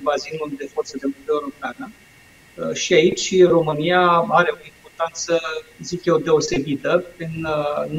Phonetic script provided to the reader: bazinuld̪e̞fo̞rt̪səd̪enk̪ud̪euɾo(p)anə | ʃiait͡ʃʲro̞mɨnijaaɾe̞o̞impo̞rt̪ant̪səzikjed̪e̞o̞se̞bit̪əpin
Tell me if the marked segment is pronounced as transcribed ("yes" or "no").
yes